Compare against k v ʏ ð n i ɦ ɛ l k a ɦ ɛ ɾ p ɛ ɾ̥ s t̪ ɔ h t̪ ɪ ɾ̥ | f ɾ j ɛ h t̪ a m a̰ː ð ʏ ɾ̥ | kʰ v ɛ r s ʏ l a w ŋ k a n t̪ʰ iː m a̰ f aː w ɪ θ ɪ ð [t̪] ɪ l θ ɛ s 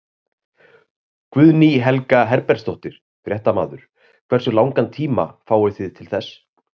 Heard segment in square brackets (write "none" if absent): t̪ʰ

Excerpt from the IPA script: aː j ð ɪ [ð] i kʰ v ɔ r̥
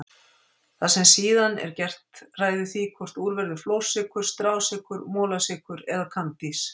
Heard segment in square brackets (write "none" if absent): θ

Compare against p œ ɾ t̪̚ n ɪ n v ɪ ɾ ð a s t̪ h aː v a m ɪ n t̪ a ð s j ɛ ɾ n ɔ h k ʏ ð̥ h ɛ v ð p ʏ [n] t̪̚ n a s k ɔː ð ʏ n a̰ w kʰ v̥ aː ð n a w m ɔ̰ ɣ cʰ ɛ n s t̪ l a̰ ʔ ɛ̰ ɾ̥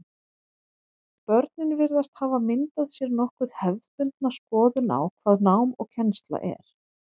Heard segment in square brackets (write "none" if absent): n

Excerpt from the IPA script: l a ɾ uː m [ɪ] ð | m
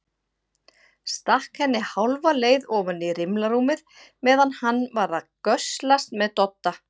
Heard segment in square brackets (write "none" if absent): ɪ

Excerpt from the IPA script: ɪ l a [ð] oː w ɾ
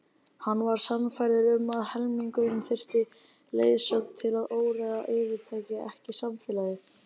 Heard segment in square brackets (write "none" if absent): ð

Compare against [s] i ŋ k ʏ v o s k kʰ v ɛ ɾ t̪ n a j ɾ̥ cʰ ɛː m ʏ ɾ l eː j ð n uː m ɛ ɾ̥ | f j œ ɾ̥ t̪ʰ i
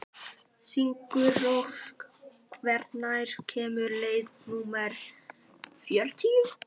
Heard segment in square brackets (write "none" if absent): s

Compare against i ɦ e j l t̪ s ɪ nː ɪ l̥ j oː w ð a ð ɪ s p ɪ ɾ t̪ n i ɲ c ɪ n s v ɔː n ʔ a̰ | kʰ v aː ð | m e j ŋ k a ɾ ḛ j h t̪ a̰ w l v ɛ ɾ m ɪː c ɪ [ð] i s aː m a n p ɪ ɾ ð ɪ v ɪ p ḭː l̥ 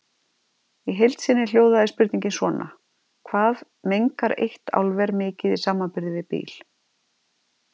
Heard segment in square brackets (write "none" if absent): ð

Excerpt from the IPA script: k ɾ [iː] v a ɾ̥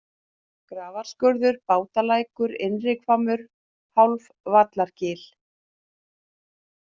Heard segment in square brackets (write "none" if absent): aː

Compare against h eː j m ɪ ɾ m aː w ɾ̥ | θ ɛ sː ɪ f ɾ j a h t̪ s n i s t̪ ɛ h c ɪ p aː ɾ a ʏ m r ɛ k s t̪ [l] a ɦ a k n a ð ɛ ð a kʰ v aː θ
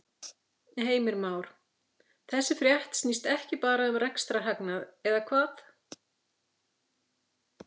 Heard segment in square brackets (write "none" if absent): ɾ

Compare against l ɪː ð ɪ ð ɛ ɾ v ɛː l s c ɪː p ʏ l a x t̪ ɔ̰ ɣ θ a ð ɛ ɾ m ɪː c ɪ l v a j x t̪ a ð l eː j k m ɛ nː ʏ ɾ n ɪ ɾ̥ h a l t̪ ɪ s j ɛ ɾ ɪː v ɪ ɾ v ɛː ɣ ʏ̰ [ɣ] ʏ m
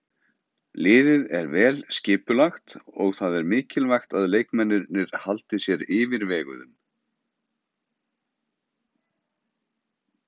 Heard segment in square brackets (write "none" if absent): ð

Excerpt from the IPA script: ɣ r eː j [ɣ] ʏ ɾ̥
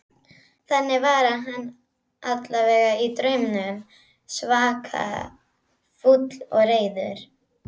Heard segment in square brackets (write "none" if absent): ð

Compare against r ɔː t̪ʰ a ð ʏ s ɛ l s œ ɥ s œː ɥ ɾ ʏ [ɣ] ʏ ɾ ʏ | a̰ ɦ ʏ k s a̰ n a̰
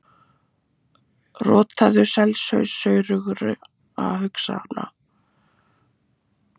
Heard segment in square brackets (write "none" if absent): ɣ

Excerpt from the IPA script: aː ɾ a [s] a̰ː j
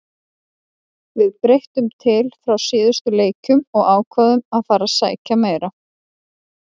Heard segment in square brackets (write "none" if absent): s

